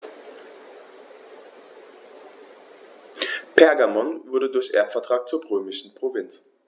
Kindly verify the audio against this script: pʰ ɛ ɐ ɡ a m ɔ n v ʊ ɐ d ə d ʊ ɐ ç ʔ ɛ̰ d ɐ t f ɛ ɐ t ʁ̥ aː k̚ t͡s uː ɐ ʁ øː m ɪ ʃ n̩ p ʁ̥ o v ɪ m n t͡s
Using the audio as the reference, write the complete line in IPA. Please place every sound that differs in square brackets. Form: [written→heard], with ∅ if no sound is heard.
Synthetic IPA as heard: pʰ ɛ ɐ ɡ a m ɔ n v ʊ ɐ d ə d ʊ ɐ ç ʔ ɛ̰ [d→∅] ɐ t f ɛ ɐ t ʁ̥ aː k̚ t͡s uː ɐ ʁ øː m ɪ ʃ n̩ p ʁ̥ o v ɪ [m→∅] n t͡s